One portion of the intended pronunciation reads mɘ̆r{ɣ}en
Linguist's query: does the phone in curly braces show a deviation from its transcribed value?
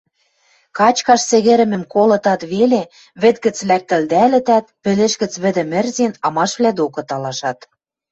yes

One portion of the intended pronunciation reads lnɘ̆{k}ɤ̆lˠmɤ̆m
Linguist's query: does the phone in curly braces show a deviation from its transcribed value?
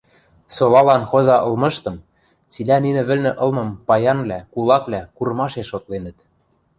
yes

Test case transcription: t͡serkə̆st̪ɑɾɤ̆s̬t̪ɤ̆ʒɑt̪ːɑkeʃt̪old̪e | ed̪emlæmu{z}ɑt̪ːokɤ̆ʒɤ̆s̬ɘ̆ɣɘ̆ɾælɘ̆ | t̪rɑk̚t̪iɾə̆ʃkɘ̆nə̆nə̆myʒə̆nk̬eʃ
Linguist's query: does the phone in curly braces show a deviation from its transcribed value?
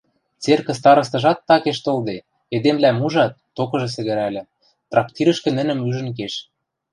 yes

